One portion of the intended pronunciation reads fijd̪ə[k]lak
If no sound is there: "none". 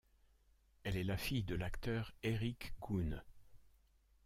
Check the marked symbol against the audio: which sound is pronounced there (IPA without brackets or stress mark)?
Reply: none